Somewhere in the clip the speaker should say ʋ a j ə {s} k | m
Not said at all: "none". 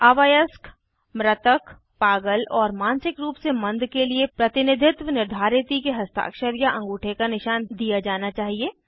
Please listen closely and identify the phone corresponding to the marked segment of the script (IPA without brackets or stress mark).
s